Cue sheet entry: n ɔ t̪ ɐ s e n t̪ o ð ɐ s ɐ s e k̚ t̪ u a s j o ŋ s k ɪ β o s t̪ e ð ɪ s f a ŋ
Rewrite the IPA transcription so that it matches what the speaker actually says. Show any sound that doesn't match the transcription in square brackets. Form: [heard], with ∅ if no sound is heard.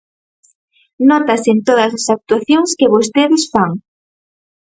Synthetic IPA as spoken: n ɔ t̪ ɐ s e n t̪ o ð ɐ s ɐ s [a] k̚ t̪ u a [θ] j o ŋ s k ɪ β o s t̪ e ð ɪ s f a ŋ